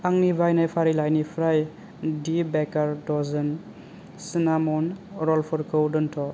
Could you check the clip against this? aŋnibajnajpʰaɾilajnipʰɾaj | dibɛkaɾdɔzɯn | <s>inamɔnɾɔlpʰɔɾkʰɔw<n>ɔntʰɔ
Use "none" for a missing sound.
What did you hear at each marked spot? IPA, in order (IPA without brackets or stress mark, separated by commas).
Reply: s, d